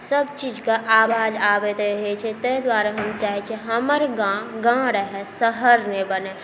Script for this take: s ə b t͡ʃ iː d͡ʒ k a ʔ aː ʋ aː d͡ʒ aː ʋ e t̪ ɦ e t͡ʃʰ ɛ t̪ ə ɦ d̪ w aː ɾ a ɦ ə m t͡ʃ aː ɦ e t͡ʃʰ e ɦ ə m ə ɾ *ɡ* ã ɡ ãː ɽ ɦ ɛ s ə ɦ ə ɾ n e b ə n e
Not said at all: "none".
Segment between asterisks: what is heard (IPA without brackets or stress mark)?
ɡ